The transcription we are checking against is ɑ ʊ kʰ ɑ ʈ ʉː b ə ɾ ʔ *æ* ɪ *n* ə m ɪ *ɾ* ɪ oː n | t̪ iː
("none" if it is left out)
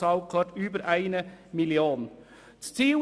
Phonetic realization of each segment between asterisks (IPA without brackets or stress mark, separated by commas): æ, n, l